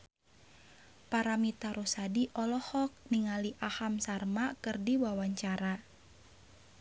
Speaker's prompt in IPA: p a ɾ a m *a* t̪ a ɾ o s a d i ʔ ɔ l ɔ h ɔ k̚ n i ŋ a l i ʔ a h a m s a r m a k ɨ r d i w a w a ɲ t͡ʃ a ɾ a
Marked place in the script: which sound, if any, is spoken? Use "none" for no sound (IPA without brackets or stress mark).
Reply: i